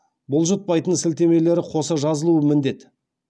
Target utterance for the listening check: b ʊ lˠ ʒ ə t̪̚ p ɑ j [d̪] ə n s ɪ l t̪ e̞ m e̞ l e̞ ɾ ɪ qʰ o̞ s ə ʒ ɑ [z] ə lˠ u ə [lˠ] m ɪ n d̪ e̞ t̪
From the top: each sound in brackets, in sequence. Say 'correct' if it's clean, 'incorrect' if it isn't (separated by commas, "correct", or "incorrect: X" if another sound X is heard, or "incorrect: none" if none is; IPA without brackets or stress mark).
incorrect: t̪, correct, incorrect: none